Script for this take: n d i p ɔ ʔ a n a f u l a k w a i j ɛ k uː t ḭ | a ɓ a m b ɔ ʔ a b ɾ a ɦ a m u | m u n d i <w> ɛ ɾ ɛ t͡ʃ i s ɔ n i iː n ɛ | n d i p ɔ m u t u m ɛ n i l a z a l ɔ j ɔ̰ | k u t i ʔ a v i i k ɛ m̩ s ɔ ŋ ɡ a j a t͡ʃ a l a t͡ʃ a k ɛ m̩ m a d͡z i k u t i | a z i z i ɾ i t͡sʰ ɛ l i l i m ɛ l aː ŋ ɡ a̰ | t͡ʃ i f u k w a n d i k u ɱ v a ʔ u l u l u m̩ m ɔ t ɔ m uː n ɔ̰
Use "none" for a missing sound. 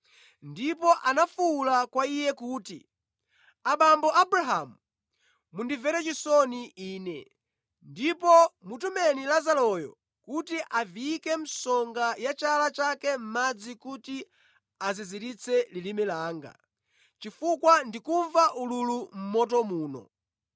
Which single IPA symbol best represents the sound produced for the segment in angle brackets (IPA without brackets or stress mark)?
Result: v